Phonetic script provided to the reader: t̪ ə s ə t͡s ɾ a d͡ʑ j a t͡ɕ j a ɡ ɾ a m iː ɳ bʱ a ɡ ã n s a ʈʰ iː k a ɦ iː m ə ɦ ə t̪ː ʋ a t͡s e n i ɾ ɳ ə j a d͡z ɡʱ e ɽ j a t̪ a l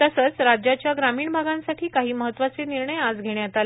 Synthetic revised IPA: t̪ ə s ə t͡s ɾ a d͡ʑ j a t͡ɕ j a ɡ ɾ a m iː ɳ bʱ a ɡ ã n s a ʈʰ iː k a ɦ iː m ə ɦ ə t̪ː ʋ a t͡s e n i ɾ ɳ ə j a d͡z ɡʱ e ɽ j a t̪ a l